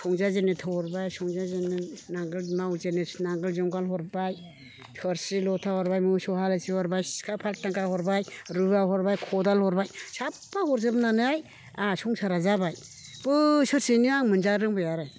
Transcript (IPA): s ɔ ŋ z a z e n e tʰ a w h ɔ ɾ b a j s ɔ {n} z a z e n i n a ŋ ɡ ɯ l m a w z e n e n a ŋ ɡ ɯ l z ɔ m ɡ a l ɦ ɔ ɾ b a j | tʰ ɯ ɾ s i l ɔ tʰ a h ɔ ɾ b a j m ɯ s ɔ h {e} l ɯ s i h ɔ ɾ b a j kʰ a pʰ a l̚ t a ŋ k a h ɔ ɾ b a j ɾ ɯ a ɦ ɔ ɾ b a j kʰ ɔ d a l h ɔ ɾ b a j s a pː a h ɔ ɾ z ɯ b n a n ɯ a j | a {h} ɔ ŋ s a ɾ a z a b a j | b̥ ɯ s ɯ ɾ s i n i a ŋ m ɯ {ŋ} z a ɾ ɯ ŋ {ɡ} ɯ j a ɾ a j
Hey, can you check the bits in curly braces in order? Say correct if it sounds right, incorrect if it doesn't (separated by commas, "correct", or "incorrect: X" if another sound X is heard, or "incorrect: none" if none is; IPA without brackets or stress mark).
incorrect: ŋ, incorrect: a, incorrect: s, incorrect: n, incorrect: b